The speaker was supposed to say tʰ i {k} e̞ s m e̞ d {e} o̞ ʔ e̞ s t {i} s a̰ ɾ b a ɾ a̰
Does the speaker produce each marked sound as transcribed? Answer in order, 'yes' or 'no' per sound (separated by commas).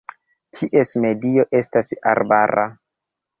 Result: no, no, no